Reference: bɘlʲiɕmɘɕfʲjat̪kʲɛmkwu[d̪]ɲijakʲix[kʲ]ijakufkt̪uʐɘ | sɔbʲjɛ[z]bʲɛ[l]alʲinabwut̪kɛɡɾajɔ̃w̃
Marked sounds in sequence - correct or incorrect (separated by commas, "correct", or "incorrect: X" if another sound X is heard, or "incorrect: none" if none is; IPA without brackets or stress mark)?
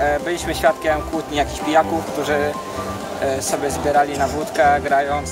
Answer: incorrect: t̪, incorrect: pʲ, correct, incorrect: ɾ